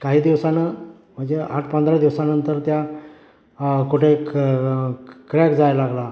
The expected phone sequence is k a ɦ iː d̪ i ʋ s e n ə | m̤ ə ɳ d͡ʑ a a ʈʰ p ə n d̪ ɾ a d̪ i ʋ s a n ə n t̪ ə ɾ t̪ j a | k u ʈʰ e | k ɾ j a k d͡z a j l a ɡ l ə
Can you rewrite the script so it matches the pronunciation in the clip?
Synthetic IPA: k a ɦ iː d̪ i ʋ s a n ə | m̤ ə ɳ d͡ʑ e a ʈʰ p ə n d̪ ɾ a d̪ i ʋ s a n ə n t̪ ə ɾ t̪ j a | k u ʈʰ e | k ɾ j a k d͡z a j l a ɡ l a